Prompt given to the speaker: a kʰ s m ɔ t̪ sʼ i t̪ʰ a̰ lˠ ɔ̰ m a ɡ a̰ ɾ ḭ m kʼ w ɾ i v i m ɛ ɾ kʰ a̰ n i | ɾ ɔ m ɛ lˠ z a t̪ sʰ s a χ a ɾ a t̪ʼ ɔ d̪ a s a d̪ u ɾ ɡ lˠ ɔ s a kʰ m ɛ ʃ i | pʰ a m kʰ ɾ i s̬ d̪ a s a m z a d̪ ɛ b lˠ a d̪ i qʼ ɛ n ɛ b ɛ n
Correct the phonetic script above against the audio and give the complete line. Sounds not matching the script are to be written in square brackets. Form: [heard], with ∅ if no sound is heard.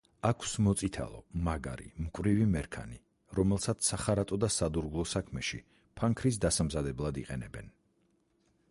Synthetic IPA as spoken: a kʰ s m ɔ t̪ sʼ i t̪ʰ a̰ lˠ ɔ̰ m a ɡ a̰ ɾ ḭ m kʼ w ɾ i v i m ɛ ɾ kʰ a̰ n i | ɾ ɔ m ɛ lˠ [s] a t̪ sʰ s a χ a ɾ a t̪ʼ ɔ d̪ a s a d̪ u ɾ ɡ lˠ ɔ s a kʰ m ɛ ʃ i | pʰ a [ŋ] kʰ ɾ i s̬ d̪ a s a m z a d̪ ɛ b lˠ a d̪ i qʼ ɛ n ɛ b ɛ n